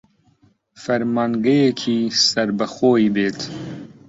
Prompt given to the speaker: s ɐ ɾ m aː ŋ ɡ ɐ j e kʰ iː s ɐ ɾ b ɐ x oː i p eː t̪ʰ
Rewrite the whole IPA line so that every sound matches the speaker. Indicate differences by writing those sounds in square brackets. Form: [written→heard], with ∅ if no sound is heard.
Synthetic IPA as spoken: [s→f] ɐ ɾ m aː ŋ ɡ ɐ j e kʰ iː s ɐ ɾ b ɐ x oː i [p→b] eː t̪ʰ